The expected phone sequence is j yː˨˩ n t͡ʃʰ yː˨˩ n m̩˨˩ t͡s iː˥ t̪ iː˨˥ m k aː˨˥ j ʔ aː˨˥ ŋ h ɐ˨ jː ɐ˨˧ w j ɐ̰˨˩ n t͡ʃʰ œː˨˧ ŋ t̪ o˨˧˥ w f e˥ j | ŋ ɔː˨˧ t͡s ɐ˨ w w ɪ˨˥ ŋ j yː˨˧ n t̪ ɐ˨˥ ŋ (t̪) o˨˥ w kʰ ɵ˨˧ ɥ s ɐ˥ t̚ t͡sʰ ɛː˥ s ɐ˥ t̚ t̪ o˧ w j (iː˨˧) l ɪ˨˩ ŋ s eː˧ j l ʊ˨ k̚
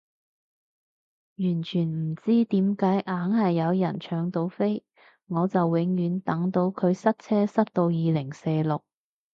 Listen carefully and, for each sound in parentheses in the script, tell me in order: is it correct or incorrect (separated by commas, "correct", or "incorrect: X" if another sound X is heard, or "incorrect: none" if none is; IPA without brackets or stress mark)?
correct, correct